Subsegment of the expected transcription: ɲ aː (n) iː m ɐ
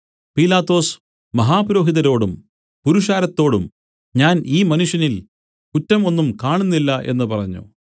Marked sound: correct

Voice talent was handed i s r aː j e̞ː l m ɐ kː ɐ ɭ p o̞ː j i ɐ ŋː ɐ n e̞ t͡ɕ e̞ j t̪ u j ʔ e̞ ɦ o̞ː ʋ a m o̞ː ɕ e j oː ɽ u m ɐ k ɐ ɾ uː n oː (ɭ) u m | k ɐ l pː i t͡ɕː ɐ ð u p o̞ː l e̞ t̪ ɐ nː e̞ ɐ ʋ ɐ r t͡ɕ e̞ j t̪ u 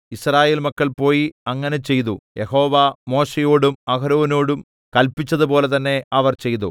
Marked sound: incorrect: ɽ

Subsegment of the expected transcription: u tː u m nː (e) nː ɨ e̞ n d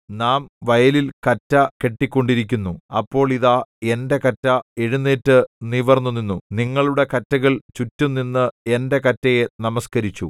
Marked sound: incorrect: i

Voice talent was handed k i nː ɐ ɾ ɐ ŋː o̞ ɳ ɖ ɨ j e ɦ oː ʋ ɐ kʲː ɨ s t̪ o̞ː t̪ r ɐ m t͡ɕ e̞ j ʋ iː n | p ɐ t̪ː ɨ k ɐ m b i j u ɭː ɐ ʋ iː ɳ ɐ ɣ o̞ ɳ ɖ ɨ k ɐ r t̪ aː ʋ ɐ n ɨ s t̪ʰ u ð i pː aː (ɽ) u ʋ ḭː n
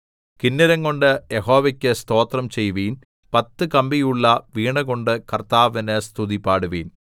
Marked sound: correct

